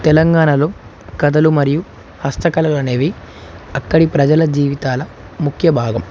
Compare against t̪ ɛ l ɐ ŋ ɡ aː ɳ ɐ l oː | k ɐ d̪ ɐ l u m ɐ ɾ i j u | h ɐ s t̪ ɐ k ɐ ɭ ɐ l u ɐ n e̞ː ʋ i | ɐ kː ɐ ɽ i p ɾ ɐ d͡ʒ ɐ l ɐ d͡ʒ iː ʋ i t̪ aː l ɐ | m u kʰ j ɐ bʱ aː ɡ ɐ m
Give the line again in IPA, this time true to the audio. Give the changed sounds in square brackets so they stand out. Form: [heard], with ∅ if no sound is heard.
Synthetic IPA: t̪ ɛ l ɐ ŋ ɡ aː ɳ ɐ l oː | k ɐ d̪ ɐ l u m ɐ ɾ i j u | h ɐ s t̪ ɐ k ɐ [l] ɐ l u ɐ n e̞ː ʋ i | ɐ kː ɐ ɽ i p ɾ ɐ d͡ʒ ɐ l ɐ d͡ʒ iː ʋ i t̪ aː l ɐ | m u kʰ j ɐ bʱ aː ɡ ɐ m